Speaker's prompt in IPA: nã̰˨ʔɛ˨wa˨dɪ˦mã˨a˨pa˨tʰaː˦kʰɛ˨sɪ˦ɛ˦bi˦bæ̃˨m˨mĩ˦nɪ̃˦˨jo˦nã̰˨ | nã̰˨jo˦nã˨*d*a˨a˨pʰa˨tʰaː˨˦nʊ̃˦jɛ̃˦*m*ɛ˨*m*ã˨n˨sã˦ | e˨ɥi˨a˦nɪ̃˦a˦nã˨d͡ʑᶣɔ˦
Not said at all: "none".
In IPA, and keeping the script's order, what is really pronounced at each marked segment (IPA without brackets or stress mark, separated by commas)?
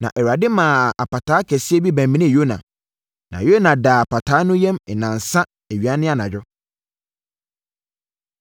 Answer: d, m, n